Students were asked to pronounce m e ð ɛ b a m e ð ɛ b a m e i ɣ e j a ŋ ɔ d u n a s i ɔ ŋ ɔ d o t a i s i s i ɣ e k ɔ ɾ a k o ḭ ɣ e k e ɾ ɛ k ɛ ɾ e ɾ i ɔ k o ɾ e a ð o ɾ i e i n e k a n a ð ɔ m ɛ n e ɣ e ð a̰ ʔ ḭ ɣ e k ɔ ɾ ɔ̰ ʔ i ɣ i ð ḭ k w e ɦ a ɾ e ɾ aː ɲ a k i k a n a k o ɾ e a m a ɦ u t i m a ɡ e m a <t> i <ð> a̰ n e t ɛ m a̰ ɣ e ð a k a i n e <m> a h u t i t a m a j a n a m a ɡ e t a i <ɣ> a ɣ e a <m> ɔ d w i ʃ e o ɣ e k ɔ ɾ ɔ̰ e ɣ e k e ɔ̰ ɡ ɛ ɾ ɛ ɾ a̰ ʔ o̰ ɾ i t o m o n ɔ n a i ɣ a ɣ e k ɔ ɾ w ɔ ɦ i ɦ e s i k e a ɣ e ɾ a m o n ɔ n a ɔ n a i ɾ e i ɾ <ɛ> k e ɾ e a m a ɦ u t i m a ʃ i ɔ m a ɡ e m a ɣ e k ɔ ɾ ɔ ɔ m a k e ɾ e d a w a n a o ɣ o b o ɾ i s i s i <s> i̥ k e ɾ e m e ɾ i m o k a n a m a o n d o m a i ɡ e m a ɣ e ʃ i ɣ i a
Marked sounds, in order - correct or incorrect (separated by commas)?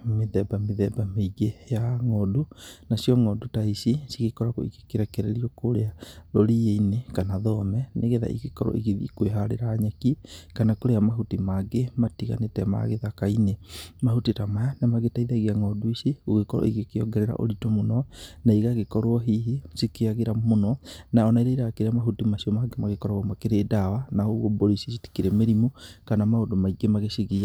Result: correct, incorrect, correct, incorrect, incorrect, incorrect, incorrect